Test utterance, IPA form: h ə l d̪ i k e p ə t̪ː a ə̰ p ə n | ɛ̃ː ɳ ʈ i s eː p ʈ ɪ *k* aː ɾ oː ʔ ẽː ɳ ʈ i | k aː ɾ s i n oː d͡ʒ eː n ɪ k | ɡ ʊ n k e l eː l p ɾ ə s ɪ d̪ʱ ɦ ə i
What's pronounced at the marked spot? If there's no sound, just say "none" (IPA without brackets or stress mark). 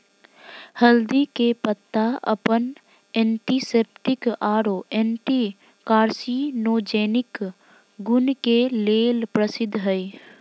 k